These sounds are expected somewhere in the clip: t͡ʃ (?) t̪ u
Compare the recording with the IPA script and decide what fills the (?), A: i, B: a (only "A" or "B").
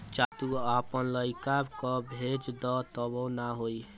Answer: B